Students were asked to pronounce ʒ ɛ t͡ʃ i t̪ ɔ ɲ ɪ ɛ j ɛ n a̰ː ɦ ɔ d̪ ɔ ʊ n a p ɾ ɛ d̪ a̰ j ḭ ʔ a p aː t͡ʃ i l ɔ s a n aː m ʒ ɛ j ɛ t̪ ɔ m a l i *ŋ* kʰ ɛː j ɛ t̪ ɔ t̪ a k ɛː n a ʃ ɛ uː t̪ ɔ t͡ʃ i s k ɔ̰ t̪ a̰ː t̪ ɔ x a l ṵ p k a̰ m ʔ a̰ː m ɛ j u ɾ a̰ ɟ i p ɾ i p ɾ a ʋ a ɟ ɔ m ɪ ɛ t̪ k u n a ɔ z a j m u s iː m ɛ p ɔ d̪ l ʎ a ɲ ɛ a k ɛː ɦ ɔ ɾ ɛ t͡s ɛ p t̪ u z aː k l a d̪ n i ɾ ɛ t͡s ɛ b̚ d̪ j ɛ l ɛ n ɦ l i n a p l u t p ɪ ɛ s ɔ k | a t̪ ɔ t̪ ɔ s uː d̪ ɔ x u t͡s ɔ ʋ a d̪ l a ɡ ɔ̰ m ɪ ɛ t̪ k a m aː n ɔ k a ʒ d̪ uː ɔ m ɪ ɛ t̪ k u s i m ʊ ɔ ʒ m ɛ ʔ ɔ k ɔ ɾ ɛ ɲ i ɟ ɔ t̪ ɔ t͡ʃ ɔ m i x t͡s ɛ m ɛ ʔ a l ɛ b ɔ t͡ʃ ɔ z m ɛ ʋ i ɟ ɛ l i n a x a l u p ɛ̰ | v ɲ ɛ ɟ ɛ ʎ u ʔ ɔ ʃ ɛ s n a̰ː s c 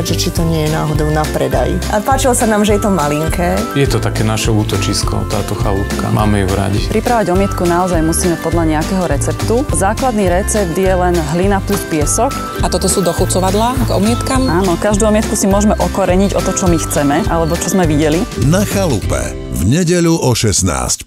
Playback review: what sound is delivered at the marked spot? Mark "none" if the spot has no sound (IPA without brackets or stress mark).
ŋ